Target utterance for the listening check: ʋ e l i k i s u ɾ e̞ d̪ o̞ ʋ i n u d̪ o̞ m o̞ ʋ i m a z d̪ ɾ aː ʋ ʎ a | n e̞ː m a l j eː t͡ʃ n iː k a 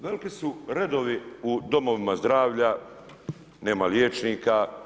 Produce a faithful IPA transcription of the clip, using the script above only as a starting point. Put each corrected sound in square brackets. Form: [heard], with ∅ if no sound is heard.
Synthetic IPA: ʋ e l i k i s u ɾ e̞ d̪ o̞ ʋ i [∅] u d̪ o̞ m o̞ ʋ i m a z d̪ ɾ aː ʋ ʎ a | n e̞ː m a l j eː t͡ʃ n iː k a